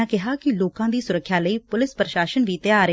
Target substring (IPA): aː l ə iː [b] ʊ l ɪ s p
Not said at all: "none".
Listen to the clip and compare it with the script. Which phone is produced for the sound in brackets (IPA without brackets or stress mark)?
p